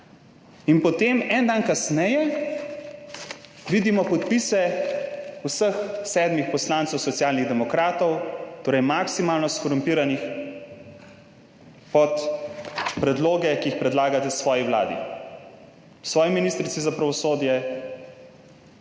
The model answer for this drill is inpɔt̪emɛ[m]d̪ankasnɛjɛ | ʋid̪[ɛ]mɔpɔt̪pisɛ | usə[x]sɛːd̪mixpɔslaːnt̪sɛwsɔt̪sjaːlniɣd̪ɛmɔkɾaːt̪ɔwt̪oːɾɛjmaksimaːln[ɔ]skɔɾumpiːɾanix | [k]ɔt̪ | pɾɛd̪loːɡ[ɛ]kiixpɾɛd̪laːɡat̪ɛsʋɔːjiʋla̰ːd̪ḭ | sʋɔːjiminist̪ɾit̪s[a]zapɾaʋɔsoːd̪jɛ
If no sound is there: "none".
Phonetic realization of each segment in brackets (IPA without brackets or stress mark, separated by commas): n, i, x, ɔ, p, ɛ, i